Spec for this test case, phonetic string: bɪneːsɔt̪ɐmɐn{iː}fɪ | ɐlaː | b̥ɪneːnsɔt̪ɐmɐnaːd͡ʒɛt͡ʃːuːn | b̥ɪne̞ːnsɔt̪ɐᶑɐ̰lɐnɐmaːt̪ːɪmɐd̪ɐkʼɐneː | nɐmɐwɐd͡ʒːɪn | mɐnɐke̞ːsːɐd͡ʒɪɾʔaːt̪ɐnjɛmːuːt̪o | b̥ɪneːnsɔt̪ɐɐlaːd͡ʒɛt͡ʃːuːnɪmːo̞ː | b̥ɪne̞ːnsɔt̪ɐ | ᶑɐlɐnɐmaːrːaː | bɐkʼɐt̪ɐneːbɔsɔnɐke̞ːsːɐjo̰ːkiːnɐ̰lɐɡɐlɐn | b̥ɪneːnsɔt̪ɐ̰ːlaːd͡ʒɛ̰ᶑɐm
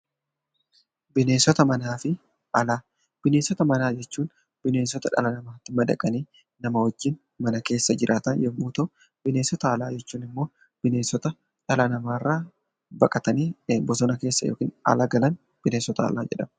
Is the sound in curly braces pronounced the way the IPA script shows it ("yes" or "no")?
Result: no